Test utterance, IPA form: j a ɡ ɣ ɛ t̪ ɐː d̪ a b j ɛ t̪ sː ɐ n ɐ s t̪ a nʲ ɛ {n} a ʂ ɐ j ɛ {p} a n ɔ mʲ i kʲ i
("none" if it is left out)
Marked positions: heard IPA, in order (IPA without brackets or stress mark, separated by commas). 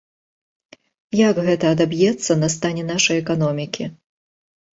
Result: n, k